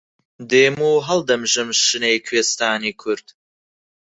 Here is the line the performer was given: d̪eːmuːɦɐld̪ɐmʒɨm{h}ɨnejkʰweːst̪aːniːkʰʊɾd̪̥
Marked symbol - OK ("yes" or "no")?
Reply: no